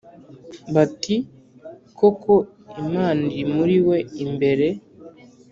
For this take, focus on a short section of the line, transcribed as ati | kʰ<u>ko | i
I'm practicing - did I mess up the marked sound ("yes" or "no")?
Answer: yes